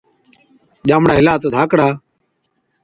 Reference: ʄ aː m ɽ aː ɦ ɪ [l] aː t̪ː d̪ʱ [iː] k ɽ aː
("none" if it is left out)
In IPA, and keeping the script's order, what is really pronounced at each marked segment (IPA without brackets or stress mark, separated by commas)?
l, aː